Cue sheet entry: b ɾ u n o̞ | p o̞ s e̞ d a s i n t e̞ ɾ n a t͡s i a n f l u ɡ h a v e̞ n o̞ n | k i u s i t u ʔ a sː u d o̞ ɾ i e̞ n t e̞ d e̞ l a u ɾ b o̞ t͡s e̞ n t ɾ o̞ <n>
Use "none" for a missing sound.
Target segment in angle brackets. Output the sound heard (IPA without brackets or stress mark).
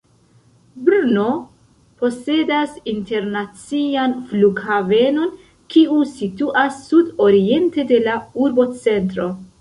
none